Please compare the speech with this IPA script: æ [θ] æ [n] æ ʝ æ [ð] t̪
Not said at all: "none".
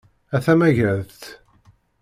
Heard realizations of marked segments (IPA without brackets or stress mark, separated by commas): θ, m, ð